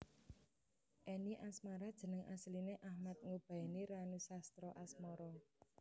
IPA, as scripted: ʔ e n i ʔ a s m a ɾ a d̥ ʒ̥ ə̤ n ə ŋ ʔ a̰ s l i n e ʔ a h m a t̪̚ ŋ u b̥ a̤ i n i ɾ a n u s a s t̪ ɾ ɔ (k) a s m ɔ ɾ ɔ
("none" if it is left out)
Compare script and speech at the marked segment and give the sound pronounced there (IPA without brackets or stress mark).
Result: ʔ